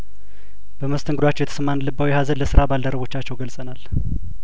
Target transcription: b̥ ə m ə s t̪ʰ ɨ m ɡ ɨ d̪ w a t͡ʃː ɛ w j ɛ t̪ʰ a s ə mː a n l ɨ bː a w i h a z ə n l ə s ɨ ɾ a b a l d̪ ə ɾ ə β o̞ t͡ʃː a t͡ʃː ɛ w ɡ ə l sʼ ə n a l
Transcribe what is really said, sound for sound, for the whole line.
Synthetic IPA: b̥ ə m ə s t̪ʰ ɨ ŋ ɡ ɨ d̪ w a t͡ʃː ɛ w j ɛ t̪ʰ ə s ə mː a n l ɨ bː a w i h a z ə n l ə s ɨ ɾ a b a l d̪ ə ɾ ə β o̞ t͡ʃː a t͡ʃː ɛ w ɡ ə l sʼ ə n a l